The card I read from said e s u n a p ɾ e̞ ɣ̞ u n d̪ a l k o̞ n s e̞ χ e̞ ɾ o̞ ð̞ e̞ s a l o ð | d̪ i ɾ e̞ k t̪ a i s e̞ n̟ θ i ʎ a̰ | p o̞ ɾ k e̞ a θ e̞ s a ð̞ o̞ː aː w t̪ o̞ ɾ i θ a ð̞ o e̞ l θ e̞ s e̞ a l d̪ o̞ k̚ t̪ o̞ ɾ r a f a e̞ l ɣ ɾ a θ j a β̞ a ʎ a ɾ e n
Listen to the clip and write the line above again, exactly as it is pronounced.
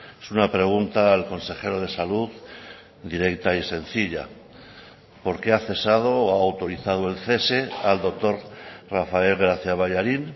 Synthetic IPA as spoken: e s u n a p ɾ e̞ ɣ̞ u n t̪ a l k o̞ n s e̞ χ e̞ ɾ o̞ ð̞ e̞ s a l u ð | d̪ i ɾ e̞ k t̪ a i s e̞ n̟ θ i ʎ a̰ | p o̞ ɾ k e̞ a θ e̞ s a ð̞ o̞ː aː w t̪ o̞ ɾ i θ a ð̞ o e̞ l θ e̞ s e̞ a l d̪ o̞ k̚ t̪ o̞ ɾ r a f a e̞ l ɣ ɾ a θ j a β̞ a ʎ a ɾ i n